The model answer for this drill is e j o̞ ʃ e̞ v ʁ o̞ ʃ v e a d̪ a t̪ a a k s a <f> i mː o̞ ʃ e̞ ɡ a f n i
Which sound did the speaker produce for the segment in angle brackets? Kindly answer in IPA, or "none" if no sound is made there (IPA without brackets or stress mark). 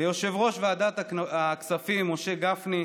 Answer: f